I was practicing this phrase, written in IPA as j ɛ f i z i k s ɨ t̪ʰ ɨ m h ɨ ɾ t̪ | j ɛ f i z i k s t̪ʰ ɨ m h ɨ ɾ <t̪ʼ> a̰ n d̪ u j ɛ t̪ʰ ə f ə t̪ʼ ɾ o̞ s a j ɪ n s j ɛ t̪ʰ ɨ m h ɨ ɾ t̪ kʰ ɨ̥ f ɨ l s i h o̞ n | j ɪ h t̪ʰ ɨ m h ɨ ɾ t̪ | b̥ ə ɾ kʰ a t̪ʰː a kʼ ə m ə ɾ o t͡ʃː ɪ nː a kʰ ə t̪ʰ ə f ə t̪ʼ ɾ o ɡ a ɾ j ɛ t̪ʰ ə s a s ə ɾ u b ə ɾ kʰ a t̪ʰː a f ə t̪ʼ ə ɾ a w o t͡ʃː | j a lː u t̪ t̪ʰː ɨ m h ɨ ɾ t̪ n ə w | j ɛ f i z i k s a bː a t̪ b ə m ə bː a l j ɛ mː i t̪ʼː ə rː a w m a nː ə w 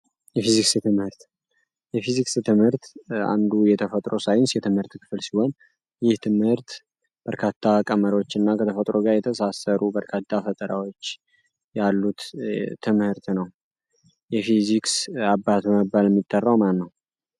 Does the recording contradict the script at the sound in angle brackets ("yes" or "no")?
yes